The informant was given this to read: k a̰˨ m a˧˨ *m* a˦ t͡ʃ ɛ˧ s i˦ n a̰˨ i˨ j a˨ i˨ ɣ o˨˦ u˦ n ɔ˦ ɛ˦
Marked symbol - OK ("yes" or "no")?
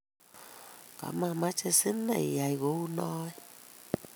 yes